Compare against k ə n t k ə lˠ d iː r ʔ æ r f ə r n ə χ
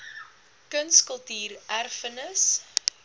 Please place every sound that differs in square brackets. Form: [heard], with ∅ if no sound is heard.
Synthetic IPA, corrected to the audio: k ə n [s] k ə lˠ [t] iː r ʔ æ r f ə [∅] n ə [s]